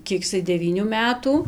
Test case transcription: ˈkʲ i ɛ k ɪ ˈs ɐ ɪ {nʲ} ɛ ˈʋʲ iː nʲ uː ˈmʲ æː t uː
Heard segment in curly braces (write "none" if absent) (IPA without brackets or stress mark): dʲ